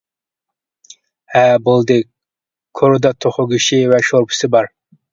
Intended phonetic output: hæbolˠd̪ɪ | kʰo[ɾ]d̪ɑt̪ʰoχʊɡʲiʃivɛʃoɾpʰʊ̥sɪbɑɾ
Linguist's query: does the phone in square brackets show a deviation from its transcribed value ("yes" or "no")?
no